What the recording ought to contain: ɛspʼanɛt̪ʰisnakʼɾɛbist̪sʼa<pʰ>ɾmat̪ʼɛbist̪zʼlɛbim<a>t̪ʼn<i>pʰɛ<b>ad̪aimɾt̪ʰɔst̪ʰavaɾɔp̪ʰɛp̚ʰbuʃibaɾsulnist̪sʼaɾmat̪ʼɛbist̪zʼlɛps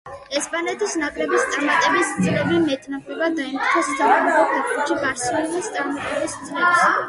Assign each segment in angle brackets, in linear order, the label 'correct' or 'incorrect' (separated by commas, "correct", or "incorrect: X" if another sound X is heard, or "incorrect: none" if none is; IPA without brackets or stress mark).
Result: incorrect: none, incorrect: ɛ, incorrect: a, correct